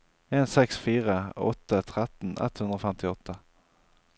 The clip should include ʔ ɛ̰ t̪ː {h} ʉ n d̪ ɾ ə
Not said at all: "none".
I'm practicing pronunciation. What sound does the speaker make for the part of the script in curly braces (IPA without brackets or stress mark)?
h